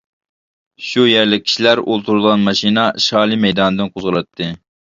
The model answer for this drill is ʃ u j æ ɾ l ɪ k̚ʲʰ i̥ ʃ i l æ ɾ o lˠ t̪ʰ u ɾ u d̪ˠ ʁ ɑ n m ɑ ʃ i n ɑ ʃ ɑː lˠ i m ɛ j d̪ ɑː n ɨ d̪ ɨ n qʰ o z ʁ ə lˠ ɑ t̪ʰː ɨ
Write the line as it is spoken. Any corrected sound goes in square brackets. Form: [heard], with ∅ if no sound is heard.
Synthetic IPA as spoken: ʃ u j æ ɾ l ɪ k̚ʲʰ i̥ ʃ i l æ ɾ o lˠ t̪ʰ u ɾ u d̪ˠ ʁ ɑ n m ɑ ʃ i n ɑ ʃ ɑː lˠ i m ɛ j d̪ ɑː n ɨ d̪ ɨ n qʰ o z ʁ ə lˠ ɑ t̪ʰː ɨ